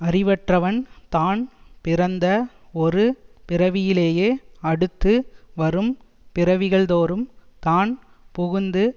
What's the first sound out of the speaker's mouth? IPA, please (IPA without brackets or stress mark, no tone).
ɐ